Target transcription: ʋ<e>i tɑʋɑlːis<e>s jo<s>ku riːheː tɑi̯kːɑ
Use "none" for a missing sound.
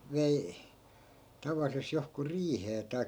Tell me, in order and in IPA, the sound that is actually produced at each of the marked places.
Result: e, e, h

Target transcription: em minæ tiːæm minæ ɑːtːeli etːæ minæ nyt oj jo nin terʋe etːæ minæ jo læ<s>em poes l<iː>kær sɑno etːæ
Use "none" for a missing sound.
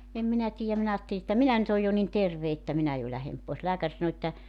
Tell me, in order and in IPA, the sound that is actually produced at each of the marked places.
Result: h, æː

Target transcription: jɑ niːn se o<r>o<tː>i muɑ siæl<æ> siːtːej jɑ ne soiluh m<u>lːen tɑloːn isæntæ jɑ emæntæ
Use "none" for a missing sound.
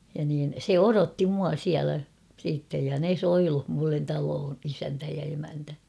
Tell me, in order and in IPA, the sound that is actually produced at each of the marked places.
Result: r, tː, æ, u

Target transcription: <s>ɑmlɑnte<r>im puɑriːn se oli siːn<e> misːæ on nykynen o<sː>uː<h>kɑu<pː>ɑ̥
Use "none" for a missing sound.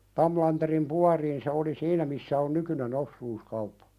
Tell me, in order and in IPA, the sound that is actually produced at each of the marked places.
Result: t, r, æ, sː, s, pː

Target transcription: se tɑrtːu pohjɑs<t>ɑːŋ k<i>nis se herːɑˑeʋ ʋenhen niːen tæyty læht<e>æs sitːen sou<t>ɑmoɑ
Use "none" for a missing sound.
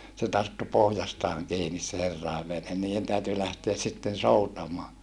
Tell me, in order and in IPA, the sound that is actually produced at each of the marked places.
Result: t, iː, e, t

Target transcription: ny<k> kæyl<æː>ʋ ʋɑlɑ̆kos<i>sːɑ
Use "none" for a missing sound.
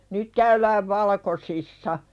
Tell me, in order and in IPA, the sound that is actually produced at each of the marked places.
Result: t, æː, i

